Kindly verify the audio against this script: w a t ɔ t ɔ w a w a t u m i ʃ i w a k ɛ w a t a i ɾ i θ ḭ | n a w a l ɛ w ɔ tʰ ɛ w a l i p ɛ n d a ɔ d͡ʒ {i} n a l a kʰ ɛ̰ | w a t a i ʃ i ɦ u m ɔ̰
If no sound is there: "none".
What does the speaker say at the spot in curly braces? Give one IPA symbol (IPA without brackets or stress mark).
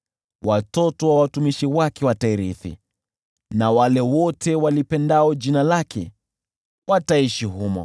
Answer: i